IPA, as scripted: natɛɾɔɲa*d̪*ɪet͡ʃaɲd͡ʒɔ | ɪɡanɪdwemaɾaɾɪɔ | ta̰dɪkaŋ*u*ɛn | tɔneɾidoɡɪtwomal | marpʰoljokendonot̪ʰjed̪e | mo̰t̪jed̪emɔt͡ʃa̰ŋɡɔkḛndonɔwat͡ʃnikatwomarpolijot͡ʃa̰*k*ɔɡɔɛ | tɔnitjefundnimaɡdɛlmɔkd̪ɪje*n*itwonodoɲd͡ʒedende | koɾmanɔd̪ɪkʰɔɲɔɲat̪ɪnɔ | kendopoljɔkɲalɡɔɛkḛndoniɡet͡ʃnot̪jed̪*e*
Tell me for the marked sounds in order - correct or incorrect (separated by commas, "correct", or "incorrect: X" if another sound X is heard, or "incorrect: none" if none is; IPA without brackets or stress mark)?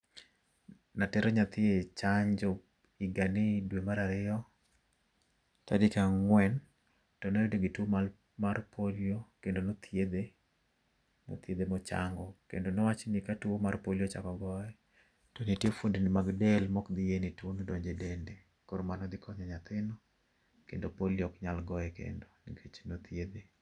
incorrect: t̪, incorrect: w, correct, correct, correct